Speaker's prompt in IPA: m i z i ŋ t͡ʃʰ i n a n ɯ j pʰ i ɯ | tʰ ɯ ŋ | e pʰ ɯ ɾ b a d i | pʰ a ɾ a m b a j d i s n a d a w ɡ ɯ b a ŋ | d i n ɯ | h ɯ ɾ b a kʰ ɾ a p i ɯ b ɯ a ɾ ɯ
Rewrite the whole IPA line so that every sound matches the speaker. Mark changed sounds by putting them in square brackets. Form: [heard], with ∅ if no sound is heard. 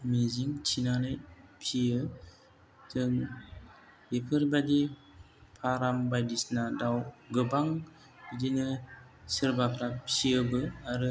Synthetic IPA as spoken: m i z i ŋ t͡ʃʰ i n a n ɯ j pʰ i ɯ | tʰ ɯ ŋ | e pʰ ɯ ɾ b a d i | pʰ a ɾ a m b a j d i s n a d a w ɡ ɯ b a ŋ | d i n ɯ | [s] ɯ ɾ b a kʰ ɾ a p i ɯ b ɯ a ɾ ɯ